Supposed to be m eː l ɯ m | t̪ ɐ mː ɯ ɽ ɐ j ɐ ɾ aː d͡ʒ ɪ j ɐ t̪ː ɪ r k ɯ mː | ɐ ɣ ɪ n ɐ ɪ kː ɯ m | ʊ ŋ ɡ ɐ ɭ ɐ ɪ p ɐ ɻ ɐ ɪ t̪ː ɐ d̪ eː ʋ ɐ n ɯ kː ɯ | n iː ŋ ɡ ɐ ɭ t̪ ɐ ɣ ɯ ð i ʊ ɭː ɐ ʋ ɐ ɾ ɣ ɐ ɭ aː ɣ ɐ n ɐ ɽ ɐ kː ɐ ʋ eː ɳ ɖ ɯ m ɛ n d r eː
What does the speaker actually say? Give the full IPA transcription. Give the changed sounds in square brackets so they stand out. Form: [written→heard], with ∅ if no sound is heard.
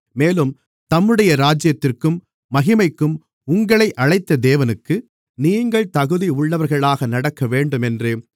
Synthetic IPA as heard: m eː l ɯ m | t̪ ɐ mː ɯ ɽ ɐ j ɐ ɾ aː d͡ʒ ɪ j ɐ t̪ː ɪ r k ɯ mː | ɐ ɣ ɪ [n→m] ɐ ɪ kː ɯ m | ʊ ŋ ɡ ɐ ɭ ɐ ɪ [p→ʔ] ɐ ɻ ɐ ɪ t̪ː ɐ d̪ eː ʋ ɐ n ɯ kː ɯ | n iː ŋ ɡ ɐ ɭ t̪ ɐ ɣ ɯ ð i ʊ ɭː ɐ ʋ ɐ ɾ ɣ ɐ ɭ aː ɣ ɐ n ɐ ɽ ɐ kː ɐ ʋ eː ɳ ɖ ɯ m ɛ n d r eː

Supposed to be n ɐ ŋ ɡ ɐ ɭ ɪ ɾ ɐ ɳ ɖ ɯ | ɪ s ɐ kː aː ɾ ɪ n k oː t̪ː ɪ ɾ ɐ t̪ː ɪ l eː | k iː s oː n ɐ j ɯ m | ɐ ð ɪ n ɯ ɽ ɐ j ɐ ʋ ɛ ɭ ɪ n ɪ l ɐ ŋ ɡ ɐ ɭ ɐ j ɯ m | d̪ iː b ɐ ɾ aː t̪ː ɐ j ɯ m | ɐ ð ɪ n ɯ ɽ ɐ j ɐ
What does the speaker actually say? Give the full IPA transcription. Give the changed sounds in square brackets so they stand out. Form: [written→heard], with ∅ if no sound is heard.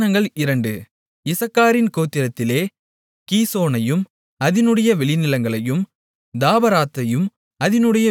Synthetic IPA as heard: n ɐ ŋ ɡ ɐ ɭ ɪ ɾ ɐ ɳ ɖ ɯ | ɪ s ɐ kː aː ɾ ɪ n k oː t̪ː ɪ ɾ ɐ t̪ː ɪ l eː | k iː s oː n ɐ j ɯ m | ɐ ð ɪ n ɯ ɽ ɐ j ɐ ʋ ɛ ɭ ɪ n ɪ l ɐ ŋ ɡ ɐ ɭ ɐ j ɯ m | d̪ [iː→aː] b ɐ ɾ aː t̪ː ɐ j ɯ m | ɐ ð ɪ n ɯ ɽ ɐ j ɐ

